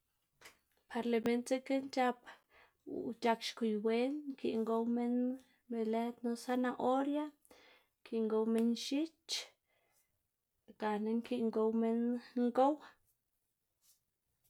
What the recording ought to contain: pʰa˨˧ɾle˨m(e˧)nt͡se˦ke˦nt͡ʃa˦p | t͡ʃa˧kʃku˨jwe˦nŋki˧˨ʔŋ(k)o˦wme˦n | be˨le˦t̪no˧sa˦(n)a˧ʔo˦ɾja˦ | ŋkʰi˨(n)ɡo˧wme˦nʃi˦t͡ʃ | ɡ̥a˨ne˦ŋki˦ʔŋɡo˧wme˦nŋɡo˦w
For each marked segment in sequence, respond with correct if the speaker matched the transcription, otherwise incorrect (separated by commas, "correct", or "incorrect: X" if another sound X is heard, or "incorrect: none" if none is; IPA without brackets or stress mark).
correct, incorrect: ɡ, correct, incorrect: ŋ